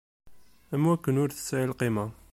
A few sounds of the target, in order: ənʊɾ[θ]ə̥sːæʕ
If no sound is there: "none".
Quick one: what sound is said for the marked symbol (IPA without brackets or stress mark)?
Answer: θ